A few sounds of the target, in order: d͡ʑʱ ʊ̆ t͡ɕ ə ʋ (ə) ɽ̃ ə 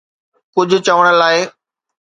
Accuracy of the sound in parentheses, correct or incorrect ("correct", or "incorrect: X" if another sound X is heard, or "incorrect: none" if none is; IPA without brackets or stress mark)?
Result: correct